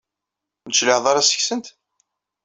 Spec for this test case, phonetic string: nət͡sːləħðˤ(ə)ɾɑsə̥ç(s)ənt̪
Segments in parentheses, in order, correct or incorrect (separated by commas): incorrect, correct